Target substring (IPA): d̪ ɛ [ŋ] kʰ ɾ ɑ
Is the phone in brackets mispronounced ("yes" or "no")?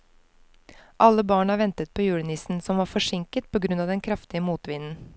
yes